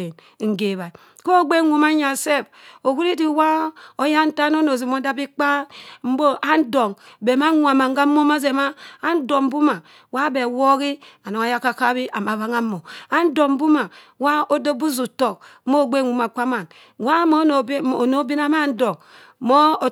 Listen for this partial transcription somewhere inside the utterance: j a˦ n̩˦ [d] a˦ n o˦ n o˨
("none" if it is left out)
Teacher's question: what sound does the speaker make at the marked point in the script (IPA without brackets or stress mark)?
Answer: t